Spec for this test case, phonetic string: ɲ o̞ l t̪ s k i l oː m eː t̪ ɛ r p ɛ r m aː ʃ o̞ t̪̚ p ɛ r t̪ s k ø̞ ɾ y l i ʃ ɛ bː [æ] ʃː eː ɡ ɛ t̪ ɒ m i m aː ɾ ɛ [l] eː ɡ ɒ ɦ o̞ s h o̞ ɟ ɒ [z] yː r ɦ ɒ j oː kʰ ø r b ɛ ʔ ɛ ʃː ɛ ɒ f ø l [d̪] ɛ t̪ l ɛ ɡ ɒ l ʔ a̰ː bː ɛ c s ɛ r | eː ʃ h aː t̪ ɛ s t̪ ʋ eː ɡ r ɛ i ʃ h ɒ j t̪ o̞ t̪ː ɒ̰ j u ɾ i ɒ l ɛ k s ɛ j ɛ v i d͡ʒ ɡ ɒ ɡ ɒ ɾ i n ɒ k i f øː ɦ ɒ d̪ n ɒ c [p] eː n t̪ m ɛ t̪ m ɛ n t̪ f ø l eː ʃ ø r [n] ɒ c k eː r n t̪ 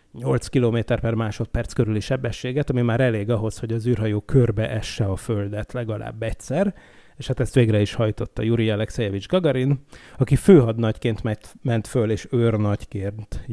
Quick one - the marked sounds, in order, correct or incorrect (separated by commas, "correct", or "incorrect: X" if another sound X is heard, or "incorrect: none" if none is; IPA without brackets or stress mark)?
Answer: incorrect: ɛ, correct, correct, correct, incorrect: k, correct